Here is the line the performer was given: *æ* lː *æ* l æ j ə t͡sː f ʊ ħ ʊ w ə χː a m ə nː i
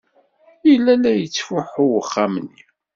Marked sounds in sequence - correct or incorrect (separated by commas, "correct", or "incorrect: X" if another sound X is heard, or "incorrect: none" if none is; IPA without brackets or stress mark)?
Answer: incorrect: i, correct